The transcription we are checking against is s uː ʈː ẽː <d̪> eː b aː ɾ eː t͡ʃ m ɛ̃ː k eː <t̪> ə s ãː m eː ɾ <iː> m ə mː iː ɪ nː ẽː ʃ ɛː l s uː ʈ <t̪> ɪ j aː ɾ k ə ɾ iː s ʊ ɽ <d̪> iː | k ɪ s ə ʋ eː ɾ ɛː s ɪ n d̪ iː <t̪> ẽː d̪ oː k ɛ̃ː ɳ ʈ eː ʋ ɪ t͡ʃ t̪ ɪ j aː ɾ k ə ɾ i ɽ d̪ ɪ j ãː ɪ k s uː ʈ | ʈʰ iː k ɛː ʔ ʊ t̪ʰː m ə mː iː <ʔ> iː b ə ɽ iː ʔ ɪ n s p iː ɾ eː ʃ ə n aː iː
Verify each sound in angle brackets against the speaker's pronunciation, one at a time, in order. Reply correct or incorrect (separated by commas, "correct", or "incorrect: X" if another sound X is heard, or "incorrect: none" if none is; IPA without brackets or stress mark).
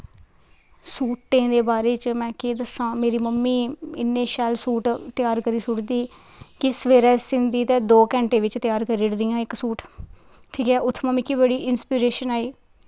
correct, incorrect: d̪, correct, correct, correct, correct, incorrect: k